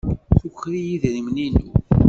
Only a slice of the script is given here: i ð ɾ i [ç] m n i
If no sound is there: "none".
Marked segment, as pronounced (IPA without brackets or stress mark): none